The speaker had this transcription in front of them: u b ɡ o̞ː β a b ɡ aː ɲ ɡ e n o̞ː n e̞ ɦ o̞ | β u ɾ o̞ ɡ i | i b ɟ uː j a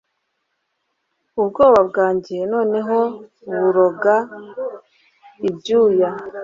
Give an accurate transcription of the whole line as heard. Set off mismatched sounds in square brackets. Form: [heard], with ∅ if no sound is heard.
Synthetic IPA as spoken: u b ɡ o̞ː β a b ɡ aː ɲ [ɟ] e n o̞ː n e̞ ɦ o̞ | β u ɾ o̞ ɡ [a] | i b ɟ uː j a